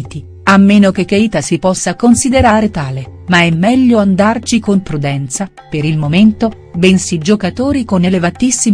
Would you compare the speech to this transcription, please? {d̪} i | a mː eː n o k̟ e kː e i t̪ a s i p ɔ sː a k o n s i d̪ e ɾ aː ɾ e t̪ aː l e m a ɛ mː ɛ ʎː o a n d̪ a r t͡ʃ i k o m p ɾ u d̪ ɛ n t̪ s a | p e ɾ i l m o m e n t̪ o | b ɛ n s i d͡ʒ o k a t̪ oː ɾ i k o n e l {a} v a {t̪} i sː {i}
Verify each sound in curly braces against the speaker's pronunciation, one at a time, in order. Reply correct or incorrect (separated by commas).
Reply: incorrect, incorrect, correct, correct